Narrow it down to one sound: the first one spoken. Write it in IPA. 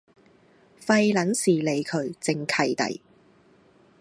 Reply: f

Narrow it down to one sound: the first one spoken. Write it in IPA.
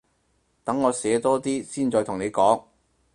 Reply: t̪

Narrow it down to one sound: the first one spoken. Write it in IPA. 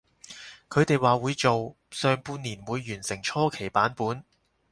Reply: kʰ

